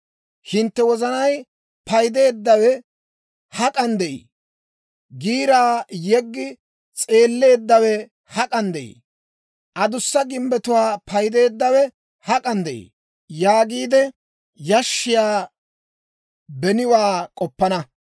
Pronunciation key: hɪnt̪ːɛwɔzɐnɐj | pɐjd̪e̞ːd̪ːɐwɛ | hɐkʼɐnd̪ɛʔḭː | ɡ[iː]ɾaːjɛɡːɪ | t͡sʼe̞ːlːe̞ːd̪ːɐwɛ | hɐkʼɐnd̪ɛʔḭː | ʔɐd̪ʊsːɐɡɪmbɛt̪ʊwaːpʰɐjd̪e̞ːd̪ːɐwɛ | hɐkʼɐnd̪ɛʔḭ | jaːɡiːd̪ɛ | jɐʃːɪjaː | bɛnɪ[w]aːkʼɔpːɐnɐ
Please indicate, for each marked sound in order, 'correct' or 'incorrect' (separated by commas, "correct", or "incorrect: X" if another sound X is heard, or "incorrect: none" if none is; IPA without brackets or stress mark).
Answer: correct, correct